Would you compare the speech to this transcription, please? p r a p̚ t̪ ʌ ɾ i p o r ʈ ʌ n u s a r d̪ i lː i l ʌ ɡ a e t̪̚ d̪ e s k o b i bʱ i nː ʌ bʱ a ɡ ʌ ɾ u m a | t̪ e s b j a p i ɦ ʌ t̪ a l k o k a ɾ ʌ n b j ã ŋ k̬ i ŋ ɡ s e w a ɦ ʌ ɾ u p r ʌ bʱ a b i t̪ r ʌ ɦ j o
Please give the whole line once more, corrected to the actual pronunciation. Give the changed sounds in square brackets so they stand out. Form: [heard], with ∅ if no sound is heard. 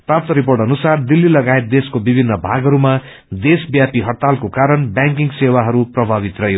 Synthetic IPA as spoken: p r a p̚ t̪ ʌ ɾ i p o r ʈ ʌ n u s a r d̪ i lː i l ʌ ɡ a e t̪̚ d̪ e s k o b i bʱ i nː ʌ bʱ a ɡ ʌ ɾ u m a | [d̪] e s b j a p i ɦ ʌ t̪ a l k o k a ɾ ʌ n b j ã ŋ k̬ i ŋ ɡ s e w a ɦ ʌ ɾ u p r ʌ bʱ a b i t̪ r ʌ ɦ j o